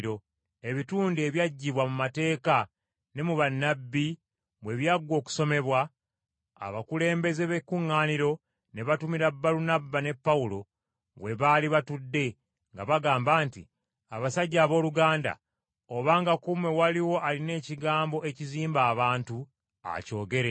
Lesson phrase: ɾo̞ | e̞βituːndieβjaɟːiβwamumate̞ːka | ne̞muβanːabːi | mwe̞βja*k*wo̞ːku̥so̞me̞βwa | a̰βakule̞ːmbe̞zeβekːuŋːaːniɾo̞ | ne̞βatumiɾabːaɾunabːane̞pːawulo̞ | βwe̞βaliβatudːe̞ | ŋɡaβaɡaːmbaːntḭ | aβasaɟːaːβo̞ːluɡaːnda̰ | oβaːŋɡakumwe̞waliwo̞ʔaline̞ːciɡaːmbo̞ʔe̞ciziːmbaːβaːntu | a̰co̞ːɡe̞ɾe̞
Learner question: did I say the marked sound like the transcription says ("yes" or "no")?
no